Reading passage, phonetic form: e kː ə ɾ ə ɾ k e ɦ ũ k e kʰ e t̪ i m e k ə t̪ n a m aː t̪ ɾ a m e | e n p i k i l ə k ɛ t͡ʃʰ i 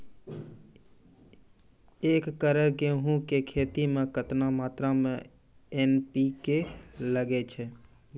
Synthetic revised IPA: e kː ə ɾ ə ɾ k e ɦ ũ k e kʰ e t̪ i m e k ə t̪ n a m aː t̪ ɾ a m e | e n p i k e l ə ɡ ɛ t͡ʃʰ ɛ